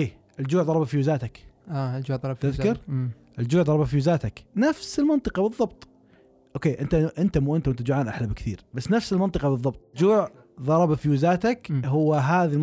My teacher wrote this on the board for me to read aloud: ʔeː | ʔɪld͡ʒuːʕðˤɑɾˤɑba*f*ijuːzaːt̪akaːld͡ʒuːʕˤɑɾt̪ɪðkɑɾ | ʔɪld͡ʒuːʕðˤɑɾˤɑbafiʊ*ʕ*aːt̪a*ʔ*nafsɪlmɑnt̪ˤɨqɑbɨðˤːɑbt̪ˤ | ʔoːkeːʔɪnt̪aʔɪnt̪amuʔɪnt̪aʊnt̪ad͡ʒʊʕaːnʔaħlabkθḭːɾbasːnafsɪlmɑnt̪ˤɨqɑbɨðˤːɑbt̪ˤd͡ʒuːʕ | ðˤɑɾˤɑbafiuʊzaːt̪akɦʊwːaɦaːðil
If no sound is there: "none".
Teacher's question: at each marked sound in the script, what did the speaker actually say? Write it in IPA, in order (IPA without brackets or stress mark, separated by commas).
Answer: f, z, k